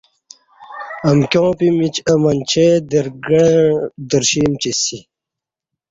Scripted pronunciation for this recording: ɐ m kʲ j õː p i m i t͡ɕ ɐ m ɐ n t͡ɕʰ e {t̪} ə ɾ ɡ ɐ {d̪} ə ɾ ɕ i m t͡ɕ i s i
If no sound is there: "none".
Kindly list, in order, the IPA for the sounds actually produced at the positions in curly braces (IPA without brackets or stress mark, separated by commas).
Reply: d̪, d̪